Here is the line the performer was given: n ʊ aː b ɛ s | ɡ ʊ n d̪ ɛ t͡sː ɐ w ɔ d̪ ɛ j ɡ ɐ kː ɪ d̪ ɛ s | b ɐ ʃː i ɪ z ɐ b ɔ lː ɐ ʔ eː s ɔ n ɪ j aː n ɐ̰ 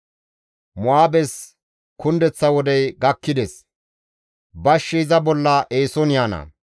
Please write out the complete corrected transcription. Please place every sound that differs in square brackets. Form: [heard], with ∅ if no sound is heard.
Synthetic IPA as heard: [m] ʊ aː b ɛ s | [k] ʊ n d̪ ɛ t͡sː ɐ w ɔ d̪ ɛ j ɡ ɐ kː ɪ d̪ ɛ s | b ɐ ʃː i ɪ z ɐ b ɔ lː ɐ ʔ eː s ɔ n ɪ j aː n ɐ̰